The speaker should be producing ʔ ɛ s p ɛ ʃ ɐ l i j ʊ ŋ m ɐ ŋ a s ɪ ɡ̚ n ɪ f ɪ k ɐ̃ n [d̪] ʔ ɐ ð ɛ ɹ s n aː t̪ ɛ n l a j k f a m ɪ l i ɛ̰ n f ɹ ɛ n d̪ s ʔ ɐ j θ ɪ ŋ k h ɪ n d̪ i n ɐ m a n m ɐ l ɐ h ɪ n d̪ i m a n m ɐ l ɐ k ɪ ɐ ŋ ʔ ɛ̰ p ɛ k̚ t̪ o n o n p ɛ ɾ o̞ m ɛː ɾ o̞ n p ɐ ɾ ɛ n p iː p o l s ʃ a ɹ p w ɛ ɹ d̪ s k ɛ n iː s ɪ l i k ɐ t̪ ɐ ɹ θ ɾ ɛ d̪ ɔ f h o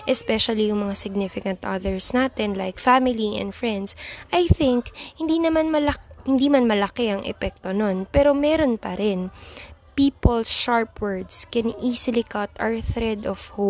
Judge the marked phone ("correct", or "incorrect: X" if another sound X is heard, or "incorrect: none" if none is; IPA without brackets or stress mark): incorrect: t̪